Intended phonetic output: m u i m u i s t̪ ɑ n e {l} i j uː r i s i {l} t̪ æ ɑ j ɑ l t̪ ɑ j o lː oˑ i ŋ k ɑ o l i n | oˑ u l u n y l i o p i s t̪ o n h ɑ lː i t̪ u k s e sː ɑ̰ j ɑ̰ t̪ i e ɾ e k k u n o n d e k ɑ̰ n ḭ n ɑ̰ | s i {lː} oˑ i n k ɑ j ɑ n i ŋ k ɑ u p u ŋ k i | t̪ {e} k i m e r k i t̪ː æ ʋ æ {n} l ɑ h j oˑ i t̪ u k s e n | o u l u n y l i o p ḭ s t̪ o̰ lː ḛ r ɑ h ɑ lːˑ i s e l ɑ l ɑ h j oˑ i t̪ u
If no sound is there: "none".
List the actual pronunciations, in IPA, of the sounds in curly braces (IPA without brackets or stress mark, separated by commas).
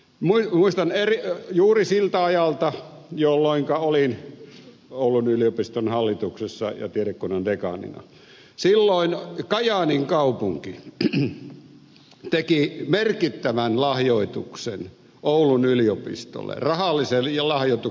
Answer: r, l, lː, e, n